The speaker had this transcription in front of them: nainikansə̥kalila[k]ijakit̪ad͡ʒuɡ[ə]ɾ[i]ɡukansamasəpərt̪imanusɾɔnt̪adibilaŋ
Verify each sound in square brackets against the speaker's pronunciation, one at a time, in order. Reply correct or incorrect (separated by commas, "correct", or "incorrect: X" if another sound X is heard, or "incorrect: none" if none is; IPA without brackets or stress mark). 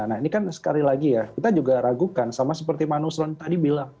incorrect: ɡ, incorrect: a, incorrect: a